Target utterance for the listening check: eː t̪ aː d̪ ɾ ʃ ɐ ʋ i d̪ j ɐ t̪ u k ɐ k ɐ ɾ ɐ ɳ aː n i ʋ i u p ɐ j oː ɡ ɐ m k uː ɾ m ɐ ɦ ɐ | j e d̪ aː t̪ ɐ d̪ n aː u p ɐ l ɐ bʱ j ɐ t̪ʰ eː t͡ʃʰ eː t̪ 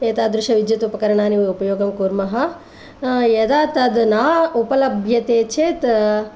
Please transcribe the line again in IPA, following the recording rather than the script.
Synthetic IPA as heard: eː t̪ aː d̪ ɾ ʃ ɐ ʋ i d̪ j ɐ t̪ u p ɐ k ɐ ɾ ɐ ɳ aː n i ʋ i u p ɐ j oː ɡ ɐ m k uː ɾ m ɐ ɦ ɐ | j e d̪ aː t̪ ɐ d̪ n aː u p ɐ l ɐ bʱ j ɐ t̪ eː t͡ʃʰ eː t̪